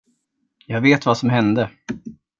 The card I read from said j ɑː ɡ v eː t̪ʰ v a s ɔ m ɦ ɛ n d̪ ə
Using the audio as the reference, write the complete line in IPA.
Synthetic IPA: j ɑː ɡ v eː t̪ v a s ɔ m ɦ ɛ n d̪ ə